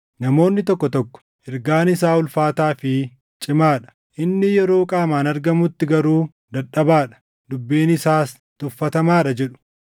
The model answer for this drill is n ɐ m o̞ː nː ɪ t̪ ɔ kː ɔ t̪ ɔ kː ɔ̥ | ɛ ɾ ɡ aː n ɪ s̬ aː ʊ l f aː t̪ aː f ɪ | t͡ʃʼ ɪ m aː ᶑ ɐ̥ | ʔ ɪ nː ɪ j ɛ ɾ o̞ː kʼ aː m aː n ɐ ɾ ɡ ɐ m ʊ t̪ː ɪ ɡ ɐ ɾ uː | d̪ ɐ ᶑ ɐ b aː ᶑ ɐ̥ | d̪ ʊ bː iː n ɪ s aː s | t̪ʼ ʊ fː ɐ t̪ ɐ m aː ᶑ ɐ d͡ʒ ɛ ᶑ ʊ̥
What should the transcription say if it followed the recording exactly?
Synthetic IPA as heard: n ɐ m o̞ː nː ɪ t̪ ɔ kː ɔ t̪ ɔ kː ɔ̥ | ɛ ɾ ɡ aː n ɪ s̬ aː ʊ l f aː t̪ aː f ɪ | t͡ʃʼ ɪ m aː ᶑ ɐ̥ | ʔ ɪ nː ɪ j ɛ ɾ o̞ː kʼ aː m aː n ɐ ɾ ɡ ɐ m ʊ t̪ː ɪ ɡ ɐ ɾ uː | d̪ ɐ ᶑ ɐ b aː ᶑ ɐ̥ | d̪ ʊ bː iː n ɪ s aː s | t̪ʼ ʊ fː ɐ t̪ ɐ m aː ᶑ ɐ d͡ʒ ɛ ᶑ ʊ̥